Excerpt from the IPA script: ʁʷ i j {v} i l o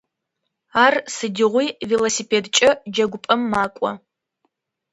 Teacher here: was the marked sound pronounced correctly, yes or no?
yes